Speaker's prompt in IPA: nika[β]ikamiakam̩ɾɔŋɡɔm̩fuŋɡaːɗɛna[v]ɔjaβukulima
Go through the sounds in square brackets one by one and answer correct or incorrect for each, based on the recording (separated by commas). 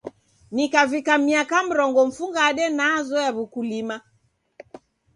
incorrect, incorrect